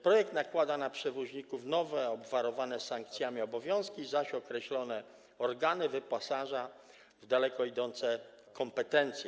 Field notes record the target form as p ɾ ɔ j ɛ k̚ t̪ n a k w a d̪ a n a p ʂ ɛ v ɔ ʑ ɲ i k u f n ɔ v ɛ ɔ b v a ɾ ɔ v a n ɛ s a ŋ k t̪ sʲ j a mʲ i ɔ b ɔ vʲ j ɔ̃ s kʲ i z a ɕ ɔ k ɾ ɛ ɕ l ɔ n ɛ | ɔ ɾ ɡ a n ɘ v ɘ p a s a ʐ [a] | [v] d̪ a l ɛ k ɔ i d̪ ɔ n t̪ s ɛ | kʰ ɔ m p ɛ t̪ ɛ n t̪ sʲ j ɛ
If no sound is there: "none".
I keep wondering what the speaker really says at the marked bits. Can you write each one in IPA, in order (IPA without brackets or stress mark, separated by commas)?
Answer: a, v